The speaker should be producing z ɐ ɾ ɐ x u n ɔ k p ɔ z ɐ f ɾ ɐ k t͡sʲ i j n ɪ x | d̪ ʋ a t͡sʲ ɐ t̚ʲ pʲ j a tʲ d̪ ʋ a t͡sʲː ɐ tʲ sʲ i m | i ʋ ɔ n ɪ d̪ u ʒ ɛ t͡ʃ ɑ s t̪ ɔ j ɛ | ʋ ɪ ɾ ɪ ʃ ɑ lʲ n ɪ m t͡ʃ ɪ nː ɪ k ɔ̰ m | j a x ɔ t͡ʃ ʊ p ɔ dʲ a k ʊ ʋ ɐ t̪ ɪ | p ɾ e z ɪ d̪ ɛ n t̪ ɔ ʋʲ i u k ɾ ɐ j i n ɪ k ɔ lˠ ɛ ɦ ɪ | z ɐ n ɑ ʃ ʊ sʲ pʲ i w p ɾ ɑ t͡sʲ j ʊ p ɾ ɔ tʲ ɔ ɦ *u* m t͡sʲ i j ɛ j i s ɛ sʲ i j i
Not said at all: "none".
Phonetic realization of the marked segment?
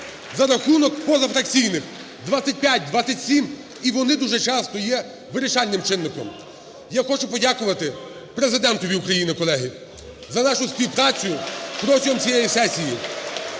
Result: ɔ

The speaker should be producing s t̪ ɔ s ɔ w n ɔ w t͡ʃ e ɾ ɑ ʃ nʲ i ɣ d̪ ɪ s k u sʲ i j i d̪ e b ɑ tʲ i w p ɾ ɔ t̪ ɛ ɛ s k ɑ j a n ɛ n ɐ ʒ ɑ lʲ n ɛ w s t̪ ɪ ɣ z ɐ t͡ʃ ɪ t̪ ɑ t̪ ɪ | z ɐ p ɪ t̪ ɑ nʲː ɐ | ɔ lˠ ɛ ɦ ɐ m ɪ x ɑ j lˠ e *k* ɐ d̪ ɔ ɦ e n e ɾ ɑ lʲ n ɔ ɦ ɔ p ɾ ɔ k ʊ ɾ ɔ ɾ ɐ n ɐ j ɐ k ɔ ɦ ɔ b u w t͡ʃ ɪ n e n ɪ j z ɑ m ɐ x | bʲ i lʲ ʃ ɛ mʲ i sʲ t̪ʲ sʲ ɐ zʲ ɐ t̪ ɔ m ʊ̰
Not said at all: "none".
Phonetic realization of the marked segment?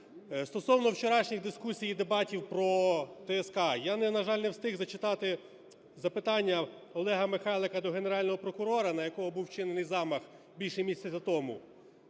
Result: k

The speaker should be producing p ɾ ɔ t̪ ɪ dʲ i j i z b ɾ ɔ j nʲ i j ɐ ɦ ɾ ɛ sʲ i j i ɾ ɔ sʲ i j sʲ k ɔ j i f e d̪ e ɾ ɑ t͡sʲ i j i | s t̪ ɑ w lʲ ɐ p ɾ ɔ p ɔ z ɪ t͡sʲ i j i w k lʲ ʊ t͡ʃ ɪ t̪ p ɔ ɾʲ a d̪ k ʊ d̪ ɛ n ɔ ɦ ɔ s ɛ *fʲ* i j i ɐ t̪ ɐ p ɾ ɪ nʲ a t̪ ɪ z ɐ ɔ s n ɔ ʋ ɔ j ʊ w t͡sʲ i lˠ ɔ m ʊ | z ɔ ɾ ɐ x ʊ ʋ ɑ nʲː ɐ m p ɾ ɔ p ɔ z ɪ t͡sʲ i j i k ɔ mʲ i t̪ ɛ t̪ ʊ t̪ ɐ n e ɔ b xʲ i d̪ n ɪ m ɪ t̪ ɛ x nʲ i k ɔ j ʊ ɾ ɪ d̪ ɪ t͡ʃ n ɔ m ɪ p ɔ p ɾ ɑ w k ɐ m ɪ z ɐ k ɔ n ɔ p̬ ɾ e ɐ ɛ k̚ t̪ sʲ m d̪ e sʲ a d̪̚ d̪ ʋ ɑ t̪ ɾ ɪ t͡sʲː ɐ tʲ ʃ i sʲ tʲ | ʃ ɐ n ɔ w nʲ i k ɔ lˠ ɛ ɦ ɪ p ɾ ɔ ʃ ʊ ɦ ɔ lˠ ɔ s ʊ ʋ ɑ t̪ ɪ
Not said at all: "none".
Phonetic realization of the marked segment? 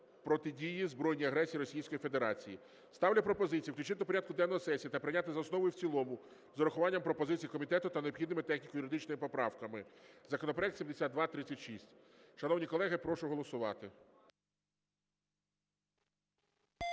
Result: sʲ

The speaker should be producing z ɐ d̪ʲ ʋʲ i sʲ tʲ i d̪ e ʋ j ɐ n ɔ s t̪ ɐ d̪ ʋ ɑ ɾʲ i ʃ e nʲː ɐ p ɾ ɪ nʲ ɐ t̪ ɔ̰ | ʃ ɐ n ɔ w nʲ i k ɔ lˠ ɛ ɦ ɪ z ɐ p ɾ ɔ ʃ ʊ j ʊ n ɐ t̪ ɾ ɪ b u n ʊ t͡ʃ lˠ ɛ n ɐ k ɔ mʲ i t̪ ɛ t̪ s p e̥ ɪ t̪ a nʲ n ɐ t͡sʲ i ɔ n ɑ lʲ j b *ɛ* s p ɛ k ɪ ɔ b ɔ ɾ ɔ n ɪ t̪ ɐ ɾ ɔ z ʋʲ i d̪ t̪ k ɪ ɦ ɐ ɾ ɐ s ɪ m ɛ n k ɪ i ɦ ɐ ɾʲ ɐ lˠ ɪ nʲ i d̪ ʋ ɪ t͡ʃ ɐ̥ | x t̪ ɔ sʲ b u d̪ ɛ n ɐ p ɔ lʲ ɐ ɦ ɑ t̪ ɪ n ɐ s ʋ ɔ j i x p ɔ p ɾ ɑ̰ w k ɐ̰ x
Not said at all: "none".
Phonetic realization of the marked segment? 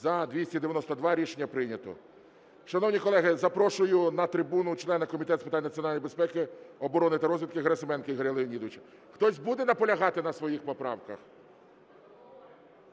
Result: e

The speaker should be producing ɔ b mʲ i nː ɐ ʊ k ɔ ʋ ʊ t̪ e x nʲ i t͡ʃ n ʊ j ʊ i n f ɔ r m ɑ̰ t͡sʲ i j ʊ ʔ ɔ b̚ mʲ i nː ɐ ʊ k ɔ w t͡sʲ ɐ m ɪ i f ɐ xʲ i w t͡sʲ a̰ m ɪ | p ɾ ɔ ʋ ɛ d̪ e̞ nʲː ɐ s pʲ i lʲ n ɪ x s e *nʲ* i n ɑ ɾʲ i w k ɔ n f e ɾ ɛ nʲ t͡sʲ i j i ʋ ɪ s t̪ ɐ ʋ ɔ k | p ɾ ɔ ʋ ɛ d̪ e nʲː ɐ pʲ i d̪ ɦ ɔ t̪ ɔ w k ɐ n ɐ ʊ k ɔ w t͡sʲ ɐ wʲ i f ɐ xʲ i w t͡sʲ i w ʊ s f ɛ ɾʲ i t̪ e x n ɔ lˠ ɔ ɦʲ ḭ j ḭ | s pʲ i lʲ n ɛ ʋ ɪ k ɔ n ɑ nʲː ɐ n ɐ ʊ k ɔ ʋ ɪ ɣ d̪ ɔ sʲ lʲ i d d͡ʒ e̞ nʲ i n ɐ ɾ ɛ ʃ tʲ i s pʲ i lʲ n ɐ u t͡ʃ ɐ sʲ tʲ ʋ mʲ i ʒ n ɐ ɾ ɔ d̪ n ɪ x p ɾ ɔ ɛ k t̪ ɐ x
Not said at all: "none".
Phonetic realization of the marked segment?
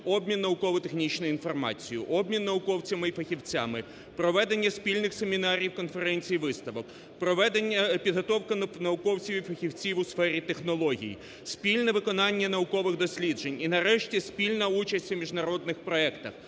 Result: mʲ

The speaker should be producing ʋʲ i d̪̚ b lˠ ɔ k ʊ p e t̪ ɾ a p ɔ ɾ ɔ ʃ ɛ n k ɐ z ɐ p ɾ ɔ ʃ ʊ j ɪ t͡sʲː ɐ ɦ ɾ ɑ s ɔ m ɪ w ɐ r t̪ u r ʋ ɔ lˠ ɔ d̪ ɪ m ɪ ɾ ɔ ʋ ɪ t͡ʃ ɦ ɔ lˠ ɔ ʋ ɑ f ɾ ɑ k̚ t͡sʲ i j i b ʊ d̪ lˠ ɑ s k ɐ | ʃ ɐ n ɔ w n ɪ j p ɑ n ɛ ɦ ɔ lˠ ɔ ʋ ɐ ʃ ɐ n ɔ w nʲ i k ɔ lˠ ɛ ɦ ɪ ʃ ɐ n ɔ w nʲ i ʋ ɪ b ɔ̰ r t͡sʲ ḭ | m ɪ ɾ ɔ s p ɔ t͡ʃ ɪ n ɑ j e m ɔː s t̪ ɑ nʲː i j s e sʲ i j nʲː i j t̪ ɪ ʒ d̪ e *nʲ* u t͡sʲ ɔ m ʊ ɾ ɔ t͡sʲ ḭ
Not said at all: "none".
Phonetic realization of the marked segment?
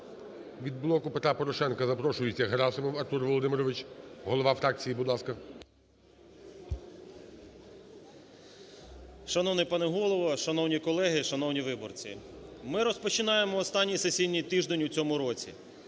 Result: nʲ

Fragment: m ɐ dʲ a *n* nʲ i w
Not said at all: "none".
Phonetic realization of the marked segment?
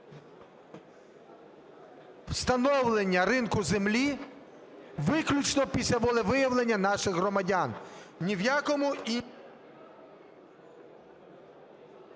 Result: n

